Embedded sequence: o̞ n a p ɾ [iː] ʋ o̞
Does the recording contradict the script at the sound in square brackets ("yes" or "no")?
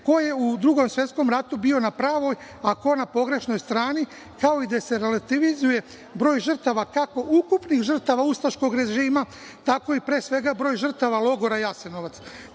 yes